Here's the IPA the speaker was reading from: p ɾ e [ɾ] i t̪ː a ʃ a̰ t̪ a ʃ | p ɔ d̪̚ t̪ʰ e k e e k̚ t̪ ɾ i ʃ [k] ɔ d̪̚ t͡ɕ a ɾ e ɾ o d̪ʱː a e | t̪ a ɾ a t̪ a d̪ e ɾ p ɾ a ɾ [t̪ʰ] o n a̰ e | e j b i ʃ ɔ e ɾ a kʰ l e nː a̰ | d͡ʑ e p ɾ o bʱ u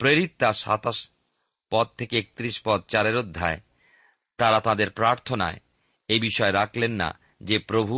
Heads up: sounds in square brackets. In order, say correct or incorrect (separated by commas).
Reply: correct, incorrect, correct